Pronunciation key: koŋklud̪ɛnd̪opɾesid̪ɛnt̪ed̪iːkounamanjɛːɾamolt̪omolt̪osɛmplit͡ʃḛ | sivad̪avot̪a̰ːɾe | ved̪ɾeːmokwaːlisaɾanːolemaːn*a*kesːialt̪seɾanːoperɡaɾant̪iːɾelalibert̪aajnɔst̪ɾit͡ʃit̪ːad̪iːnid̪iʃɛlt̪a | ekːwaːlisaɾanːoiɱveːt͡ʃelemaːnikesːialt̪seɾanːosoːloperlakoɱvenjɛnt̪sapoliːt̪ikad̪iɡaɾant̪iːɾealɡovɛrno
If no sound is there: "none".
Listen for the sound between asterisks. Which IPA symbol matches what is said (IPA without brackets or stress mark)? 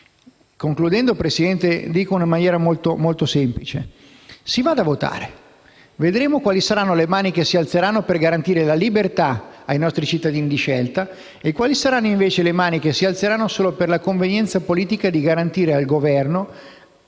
i